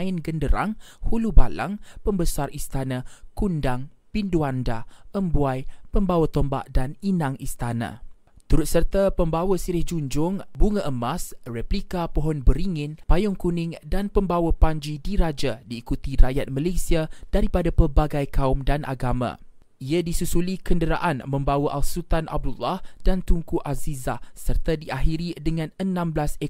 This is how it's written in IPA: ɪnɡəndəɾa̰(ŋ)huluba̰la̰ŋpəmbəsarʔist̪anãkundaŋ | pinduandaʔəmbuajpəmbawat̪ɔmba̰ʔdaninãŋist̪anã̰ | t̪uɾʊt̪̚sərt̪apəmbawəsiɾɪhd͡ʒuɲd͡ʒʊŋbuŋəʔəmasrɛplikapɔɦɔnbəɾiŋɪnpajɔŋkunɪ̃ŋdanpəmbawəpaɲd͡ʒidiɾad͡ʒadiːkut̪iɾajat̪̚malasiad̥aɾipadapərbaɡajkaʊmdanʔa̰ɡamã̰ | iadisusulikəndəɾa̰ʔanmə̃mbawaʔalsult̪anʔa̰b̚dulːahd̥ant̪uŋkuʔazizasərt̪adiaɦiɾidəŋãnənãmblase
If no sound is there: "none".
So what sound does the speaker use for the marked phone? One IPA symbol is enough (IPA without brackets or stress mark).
ŋ